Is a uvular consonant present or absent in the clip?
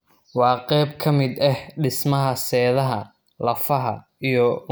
present